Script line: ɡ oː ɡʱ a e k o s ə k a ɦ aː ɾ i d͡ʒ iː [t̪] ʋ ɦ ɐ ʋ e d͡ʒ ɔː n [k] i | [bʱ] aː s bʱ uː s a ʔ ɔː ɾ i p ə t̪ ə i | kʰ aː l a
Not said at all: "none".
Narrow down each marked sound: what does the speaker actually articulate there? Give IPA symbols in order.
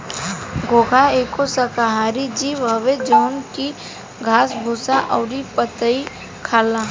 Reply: none, k, ɡʱ

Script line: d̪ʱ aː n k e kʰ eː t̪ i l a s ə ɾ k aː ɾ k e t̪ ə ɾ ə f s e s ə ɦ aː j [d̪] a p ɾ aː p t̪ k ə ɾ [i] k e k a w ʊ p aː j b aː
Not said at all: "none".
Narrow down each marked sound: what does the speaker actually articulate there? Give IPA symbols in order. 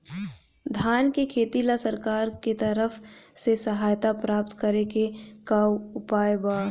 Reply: t̪, e

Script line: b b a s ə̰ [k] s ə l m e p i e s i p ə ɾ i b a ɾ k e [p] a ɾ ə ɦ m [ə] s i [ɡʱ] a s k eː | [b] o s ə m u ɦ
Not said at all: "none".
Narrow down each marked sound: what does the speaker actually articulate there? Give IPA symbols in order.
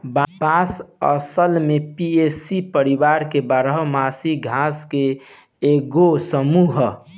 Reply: none, b, a, ɡʱ, ɡ

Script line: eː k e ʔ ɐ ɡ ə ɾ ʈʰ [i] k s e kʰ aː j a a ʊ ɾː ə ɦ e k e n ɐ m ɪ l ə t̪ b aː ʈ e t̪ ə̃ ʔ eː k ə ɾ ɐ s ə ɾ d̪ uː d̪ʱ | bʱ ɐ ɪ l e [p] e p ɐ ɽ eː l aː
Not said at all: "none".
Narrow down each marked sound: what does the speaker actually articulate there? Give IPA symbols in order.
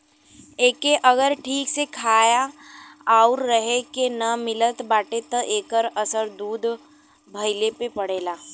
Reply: iː, p

